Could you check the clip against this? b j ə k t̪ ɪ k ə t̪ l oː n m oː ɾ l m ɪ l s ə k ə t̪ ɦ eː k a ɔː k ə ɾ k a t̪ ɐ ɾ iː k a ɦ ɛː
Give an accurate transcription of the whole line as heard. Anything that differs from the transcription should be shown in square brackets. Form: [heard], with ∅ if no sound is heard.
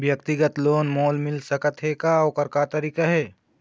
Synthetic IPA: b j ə k t̪ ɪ [ɡ] ə t̪ l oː n m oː [∅] l m ɪ l s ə k ə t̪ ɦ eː k a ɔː k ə ɾ k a t̪ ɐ ɾ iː k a ɦ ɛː